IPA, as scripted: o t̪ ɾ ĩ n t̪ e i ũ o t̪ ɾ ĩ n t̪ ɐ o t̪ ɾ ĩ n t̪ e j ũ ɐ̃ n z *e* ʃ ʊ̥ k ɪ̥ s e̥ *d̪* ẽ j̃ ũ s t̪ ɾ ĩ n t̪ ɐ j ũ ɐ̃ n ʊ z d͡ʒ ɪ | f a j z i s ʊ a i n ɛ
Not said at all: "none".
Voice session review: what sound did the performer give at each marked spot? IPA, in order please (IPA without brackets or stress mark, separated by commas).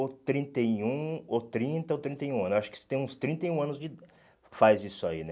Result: a, t̪